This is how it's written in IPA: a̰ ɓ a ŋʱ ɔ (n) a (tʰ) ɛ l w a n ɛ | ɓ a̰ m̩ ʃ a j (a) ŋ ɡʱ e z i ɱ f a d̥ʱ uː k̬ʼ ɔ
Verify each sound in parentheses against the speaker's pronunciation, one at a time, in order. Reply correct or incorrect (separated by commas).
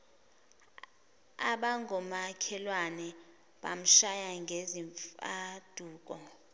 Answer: incorrect, incorrect, correct